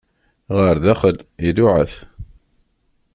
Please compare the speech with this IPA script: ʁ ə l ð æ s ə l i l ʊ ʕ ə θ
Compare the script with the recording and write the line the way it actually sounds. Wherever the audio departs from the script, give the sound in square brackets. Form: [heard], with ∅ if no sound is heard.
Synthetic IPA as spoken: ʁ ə [ɾ] ð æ [χ] ə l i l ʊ ʕ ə θ